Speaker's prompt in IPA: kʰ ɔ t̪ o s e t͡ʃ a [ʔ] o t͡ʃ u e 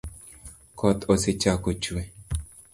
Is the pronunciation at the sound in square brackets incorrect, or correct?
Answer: incorrect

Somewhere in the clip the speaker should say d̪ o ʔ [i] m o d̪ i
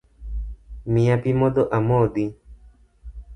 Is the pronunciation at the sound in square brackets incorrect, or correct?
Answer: incorrect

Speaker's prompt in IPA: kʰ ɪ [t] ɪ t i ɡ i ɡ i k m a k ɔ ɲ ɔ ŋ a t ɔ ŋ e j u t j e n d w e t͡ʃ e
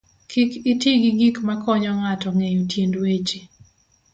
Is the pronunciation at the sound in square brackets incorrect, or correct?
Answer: incorrect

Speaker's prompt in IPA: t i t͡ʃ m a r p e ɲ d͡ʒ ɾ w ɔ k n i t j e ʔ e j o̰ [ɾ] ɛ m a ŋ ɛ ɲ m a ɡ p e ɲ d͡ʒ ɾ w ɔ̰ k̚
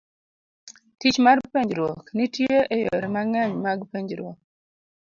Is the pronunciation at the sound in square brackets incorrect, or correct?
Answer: correct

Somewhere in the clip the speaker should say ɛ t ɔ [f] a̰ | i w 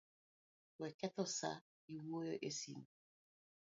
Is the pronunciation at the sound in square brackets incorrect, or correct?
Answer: incorrect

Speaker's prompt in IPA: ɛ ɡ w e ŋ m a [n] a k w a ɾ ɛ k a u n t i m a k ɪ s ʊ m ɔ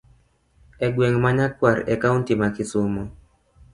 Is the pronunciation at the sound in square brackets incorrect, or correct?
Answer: incorrect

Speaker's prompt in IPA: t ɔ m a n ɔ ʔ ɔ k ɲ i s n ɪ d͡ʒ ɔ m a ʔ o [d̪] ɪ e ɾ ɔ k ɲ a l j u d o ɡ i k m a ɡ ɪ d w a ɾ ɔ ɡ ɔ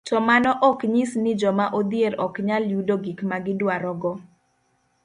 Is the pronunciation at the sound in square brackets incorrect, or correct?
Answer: correct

